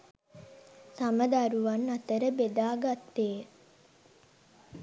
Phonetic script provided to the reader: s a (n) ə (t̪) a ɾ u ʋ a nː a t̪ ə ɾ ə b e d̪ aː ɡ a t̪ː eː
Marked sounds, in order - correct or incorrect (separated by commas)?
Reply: incorrect, incorrect